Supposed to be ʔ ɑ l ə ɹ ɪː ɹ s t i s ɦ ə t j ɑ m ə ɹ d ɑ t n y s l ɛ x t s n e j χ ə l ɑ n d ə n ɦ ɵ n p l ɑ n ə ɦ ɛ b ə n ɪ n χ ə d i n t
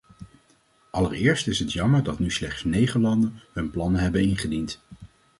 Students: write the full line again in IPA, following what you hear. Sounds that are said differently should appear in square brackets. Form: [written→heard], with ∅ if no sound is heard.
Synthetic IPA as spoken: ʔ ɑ l ə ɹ ɪː ɹ s t [i→ɪ] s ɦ ə t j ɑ m ə ɹ d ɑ t n y s l ɛ [x→χ] t s n e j χ ə l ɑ n d ə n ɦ ɵ n p l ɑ n ə ɦ ɛ b ə n ɪ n χ ə d i n t